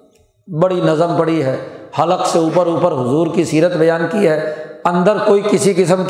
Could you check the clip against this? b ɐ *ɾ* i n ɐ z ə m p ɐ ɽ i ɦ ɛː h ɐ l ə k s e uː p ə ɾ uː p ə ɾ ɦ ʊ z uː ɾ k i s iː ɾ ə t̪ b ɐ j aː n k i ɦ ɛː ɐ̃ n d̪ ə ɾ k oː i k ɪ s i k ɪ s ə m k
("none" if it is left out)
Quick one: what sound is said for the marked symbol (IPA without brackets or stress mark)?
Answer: ɽ